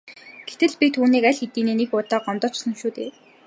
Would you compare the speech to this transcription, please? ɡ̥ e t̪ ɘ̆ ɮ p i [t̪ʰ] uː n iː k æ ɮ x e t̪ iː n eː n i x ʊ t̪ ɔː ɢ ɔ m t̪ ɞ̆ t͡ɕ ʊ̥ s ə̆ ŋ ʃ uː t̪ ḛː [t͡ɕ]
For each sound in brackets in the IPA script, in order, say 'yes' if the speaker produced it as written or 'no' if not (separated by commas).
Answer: yes, no